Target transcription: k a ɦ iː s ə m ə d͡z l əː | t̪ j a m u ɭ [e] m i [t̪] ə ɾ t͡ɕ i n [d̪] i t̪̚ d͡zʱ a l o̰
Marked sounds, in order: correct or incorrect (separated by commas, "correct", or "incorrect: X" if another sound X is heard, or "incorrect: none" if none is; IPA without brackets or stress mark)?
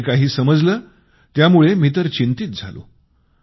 correct, correct, incorrect: t̪